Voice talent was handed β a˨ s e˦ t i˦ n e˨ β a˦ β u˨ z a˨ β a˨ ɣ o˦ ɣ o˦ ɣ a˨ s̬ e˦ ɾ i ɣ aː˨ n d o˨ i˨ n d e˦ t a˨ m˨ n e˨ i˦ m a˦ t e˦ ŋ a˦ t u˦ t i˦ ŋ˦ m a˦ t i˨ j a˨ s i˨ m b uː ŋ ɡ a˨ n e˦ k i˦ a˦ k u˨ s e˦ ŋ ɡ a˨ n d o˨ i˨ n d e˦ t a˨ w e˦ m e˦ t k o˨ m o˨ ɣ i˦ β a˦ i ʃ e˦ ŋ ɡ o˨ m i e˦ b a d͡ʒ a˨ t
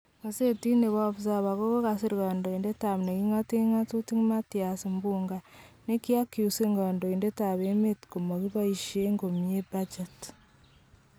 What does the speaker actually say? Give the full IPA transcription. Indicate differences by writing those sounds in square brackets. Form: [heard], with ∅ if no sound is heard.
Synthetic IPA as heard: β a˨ s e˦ t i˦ n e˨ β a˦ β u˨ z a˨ β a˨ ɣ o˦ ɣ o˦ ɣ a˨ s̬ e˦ ɾ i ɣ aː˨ n d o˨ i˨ n d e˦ t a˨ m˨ n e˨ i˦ [ŋ] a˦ t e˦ ŋ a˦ t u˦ t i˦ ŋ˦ m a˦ t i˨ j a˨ s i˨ m b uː ŋ ɡ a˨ n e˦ k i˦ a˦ k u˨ s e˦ ŋ ɡ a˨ n d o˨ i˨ n d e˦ t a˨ [β] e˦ m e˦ t k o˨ m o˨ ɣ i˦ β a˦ i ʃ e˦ ŋ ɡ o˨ m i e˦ b a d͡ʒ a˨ t